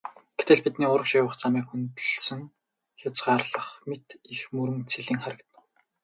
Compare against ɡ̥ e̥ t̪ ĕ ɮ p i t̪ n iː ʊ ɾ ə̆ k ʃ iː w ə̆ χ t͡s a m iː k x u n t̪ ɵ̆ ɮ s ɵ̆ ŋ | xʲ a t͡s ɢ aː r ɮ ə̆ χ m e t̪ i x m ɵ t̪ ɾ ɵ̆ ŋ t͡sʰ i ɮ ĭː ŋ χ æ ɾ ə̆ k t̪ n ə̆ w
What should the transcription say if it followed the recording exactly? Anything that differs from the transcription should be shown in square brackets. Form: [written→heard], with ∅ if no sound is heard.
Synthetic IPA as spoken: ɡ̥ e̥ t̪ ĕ ɮ p i t̪ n iː ʊ ɾ ə̆ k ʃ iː w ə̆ χ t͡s a m iː k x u n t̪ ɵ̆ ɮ s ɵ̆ ŋ | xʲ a t͡s ɢ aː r ɮ ə̆ χ m e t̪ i x m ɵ [t̪→∅] ɾ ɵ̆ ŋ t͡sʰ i ɮ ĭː ŋ χ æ ɾ ə̆ k t̪ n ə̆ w